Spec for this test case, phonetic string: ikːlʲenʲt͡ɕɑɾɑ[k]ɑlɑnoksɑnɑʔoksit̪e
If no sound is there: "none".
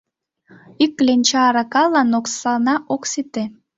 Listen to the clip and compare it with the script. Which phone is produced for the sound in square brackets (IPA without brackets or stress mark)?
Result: k